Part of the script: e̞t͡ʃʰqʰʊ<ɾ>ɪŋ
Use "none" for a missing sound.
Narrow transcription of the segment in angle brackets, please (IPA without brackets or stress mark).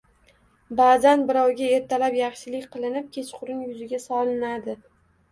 ɾ